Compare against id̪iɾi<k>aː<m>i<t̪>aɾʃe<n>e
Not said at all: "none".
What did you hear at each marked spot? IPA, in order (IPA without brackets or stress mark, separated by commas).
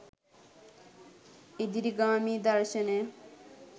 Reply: ɡ, m, d̪, n